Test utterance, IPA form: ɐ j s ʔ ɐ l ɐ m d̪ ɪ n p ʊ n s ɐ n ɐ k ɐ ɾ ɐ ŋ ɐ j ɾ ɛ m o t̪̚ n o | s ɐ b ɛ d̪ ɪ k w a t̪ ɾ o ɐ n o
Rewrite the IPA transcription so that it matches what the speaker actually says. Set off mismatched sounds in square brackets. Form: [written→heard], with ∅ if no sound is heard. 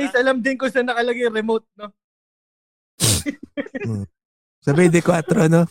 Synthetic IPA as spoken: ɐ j s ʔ ɐ l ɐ m d̪ ɪ n [p→k] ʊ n s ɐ n ɐ k ɐ [ɾ→l] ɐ [ŋ→ɡ] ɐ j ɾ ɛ m o t̪̚ n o | s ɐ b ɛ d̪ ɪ k w a t̪ ɾ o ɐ n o